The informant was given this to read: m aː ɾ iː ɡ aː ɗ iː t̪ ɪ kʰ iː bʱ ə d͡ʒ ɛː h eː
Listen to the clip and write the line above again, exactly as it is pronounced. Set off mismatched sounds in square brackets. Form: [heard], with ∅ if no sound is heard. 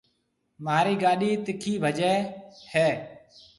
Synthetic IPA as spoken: m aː ɾ iː ɡ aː ɗ iː t̪ ɪ kʰ iː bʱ ə d͡ʒ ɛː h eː